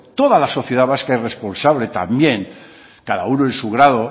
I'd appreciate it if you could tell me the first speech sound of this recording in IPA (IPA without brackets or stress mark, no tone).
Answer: t̪